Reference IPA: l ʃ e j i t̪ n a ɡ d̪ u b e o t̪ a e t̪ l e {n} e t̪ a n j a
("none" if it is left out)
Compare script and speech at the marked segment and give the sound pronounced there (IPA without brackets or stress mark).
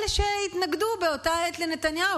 n